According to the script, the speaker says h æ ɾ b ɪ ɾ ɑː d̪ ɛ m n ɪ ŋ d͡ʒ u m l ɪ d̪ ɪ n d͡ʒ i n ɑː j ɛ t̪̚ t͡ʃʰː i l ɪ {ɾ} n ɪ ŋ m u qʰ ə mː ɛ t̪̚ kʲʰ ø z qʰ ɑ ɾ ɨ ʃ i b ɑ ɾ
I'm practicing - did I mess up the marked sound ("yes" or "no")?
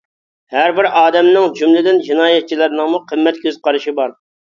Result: no